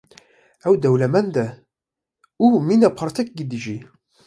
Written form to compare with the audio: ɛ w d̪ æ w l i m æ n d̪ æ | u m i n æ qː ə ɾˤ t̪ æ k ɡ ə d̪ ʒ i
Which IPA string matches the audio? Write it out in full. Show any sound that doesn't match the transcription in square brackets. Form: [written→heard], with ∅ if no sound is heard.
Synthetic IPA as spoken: [ɛ→æ] w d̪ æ w l [i→æ] m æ n d̪ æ | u m i n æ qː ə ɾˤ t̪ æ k ɡ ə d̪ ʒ i